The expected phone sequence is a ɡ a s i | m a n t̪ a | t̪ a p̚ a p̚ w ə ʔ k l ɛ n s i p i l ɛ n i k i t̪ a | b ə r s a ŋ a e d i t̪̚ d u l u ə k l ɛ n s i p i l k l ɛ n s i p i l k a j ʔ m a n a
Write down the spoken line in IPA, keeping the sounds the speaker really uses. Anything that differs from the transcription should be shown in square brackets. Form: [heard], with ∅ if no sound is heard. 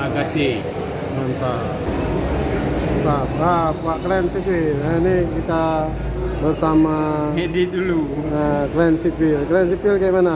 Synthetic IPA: a ɡ a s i | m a n t̪ a | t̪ a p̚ a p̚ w [a] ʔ k l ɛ n s i p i l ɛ n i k i t̪ a | b ə r s a [m] a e d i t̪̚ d u l u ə k l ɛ n s i p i l k l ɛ n s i p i l k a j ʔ m a n a